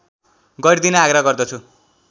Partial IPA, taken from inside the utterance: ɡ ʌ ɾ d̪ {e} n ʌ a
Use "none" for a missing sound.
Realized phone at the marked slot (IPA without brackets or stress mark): i